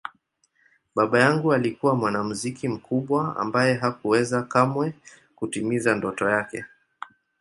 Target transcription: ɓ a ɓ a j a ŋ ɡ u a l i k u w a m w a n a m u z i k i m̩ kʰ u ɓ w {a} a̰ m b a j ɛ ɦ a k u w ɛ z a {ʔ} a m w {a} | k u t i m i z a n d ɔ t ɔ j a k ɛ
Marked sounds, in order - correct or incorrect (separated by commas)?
correct, incorrect, incorrect